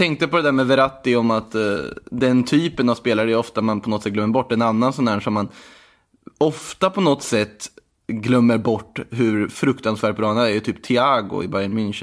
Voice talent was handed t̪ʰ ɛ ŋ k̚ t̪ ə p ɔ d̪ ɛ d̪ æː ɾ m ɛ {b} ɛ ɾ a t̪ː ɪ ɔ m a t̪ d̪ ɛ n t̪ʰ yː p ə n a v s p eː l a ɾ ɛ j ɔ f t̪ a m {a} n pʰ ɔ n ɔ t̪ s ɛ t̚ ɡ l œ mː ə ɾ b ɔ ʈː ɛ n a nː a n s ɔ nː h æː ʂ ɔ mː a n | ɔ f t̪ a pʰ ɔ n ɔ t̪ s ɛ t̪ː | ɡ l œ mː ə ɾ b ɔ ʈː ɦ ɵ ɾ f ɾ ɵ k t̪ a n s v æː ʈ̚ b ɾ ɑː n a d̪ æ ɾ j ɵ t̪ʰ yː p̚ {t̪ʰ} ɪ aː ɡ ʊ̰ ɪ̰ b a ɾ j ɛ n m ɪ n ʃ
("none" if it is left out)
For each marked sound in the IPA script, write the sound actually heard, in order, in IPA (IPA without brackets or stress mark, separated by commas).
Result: v, a, t̪ʰ